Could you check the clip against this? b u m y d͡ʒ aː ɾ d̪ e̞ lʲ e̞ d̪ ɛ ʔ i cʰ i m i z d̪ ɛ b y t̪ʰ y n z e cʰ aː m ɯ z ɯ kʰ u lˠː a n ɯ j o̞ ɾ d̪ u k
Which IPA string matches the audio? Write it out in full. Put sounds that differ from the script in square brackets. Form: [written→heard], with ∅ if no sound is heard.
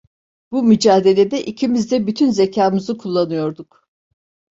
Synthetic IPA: b u m y d͡ʒ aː [ɾ→∅] d̪ e̞ lʲ e̞ d̪ ɛ ʔ i cʰ i m i z d̪ ɛ b y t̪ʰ y n z e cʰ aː m ɯ z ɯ kʰ u lˠː a n ɯ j o̞ ɾ d̪ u k